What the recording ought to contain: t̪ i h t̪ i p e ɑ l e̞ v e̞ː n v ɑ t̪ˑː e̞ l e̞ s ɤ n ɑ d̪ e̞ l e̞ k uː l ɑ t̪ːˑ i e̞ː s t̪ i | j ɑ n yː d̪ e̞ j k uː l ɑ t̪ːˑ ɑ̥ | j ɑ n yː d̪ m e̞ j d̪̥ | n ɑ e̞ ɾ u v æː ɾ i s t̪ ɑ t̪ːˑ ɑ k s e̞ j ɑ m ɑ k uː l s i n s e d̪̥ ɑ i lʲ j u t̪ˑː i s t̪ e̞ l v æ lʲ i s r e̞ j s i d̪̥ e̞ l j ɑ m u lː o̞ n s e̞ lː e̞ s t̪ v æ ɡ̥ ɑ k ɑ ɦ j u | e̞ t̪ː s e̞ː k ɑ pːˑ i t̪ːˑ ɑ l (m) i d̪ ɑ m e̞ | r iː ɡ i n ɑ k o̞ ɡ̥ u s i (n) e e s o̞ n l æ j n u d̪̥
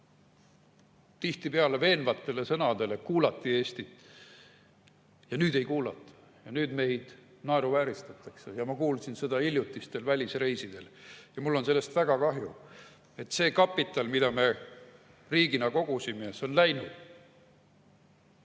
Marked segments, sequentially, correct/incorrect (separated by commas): correct, incorrect